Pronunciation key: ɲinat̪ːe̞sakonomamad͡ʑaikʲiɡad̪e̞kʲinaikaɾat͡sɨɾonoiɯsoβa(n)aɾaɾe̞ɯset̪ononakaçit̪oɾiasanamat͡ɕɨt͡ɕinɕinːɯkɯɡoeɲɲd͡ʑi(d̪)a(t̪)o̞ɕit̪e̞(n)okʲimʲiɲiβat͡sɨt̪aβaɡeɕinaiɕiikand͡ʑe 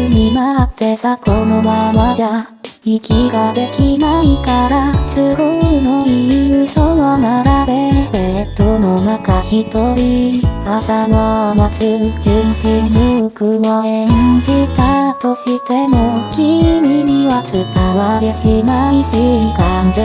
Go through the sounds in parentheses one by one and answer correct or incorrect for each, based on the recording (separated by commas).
correct, incorrect, correct, incorrect